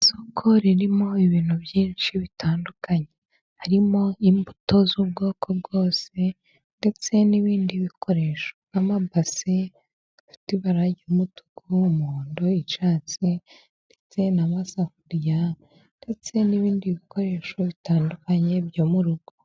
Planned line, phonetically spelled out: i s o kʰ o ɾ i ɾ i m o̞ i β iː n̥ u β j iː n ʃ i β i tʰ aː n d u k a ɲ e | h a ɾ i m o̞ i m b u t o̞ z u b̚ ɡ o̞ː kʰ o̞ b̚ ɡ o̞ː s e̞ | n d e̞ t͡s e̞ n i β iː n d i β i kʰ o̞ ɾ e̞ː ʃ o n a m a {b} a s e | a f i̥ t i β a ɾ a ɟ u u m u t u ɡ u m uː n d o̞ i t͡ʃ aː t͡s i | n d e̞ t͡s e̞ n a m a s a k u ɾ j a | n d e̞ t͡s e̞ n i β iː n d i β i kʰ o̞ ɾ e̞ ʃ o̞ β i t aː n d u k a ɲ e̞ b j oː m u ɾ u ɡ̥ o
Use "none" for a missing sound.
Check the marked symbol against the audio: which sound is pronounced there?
b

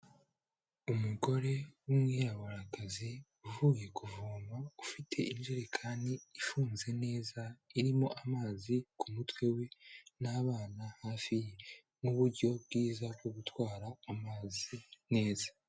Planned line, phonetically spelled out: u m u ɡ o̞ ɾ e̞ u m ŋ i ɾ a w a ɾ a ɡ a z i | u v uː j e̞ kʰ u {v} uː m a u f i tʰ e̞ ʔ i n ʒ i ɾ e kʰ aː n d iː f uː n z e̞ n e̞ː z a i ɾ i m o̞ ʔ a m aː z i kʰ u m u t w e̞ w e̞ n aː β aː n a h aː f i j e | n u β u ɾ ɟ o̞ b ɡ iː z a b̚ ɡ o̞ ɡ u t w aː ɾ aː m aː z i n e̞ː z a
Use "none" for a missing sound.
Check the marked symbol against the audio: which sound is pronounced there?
v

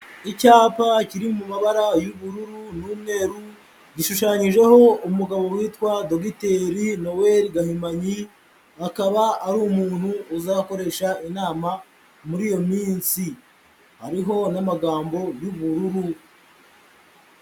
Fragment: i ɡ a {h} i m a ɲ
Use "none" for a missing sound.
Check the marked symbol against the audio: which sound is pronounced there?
h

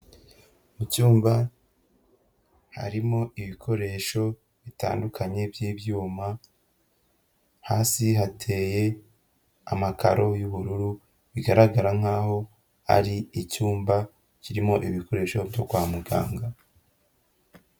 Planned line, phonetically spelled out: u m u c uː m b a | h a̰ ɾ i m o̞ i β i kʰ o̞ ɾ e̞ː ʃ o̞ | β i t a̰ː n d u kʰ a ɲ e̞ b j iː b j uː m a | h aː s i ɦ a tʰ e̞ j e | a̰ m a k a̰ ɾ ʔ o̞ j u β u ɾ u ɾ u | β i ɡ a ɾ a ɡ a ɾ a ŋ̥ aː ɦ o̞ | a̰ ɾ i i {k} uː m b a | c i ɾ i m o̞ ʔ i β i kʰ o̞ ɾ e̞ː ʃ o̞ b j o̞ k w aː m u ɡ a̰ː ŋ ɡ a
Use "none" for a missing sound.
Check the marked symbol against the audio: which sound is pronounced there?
c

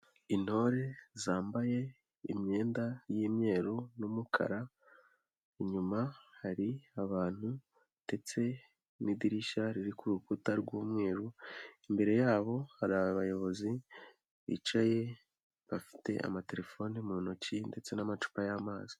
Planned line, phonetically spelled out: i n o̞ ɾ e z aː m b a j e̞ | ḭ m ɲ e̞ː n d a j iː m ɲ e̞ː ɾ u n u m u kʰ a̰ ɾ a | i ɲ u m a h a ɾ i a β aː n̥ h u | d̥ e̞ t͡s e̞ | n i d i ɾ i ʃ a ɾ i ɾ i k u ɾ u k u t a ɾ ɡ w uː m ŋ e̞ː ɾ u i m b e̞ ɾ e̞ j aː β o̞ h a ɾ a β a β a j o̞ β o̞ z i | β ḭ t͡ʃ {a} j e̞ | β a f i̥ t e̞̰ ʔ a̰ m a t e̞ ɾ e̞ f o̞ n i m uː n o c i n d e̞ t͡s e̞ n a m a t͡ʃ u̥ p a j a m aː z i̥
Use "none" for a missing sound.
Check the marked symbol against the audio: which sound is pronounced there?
a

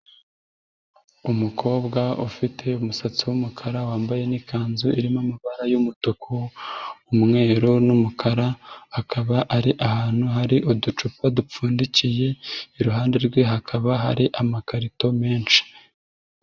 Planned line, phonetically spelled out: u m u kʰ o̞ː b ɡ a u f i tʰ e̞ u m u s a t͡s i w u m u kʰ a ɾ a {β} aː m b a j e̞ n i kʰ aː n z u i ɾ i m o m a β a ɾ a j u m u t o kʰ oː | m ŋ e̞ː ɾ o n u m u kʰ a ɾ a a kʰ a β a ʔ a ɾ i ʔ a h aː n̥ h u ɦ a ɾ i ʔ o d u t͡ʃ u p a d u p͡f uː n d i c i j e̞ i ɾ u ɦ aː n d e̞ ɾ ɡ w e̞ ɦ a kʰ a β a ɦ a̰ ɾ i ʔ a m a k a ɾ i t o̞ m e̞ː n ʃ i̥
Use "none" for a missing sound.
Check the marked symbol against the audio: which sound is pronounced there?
w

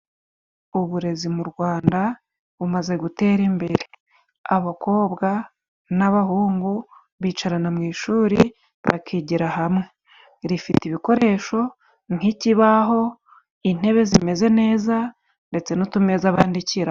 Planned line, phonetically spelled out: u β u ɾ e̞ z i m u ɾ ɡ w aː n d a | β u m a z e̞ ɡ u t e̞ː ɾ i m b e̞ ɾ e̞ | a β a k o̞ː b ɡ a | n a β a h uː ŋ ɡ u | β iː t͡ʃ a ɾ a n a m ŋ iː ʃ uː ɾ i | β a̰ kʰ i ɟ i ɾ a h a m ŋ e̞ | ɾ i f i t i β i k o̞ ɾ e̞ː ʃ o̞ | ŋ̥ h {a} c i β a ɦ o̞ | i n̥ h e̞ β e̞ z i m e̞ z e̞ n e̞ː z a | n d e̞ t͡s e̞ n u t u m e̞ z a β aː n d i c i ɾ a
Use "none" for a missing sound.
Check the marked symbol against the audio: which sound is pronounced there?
i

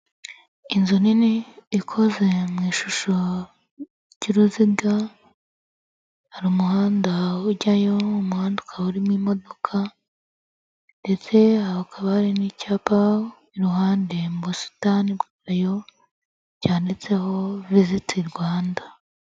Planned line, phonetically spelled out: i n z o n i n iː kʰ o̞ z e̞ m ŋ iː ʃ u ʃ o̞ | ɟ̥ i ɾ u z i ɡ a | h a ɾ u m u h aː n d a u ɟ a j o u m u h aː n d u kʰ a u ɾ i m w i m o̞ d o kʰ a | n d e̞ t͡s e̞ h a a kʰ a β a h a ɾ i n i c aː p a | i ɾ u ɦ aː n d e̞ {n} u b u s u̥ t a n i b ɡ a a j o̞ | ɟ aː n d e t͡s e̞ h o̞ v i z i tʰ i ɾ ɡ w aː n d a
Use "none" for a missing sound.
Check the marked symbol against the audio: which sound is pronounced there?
m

